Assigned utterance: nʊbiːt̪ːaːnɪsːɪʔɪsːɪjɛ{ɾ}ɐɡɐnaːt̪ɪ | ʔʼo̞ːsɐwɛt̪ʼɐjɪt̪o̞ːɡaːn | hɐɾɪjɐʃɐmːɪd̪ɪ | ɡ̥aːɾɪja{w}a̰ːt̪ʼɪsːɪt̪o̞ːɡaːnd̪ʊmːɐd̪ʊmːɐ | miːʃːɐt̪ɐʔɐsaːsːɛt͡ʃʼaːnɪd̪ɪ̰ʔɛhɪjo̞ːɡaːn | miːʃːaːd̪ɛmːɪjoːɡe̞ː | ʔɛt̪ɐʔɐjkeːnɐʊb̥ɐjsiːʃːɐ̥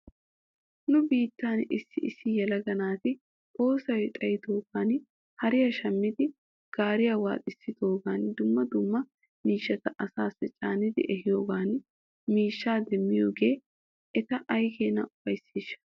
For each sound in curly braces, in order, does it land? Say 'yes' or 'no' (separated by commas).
no, yes